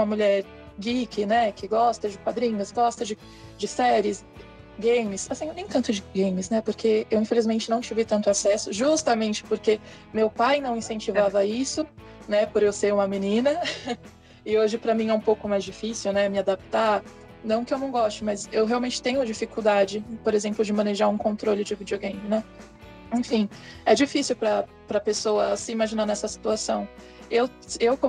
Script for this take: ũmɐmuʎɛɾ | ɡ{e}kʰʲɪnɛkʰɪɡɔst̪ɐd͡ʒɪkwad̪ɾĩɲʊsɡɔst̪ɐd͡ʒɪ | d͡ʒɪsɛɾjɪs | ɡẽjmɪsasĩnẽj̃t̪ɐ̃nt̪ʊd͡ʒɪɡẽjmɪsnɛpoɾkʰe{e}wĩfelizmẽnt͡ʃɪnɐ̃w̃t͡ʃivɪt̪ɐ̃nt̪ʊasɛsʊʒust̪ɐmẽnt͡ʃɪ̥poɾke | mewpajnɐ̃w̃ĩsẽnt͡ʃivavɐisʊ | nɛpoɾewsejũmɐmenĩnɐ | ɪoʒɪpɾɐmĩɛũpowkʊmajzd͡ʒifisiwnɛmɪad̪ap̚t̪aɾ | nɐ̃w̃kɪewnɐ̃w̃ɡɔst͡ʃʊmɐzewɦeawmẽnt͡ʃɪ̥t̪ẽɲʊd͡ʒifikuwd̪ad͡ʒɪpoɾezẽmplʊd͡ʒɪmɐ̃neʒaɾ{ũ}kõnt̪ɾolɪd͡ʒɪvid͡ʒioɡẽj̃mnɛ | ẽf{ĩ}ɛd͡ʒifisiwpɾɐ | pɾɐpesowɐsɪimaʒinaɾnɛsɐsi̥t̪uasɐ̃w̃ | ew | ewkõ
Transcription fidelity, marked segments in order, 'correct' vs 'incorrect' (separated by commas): incorrect, correct, correct, correct